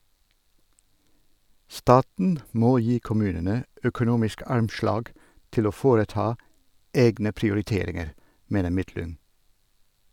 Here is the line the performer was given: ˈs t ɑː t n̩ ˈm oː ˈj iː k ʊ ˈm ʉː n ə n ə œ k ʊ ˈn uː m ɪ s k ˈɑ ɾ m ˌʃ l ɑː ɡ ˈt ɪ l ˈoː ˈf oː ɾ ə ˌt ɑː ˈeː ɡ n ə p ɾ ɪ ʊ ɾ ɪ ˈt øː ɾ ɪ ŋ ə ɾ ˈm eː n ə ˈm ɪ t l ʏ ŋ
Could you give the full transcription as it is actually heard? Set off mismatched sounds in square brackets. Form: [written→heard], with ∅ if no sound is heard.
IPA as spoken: ˈs t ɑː t n̩ ˈm oː ˈj iː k ʊ ˈm ʉː n ə n ə œ k ʊ ˈn uː m ɪ s k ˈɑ ɾ m ˌʃ l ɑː ɡ ˈt ɪ l ˈoː ˈf oː ɾ ə ˌt ɑː ˈeː ɡ n ə p ɾ ɪ ʊ ɾ ɪ ˈt [øː→eː] ɾ ɪ ŋ ə ɾ ˈm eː n ə ˈm ɪ t l ʏ ŋ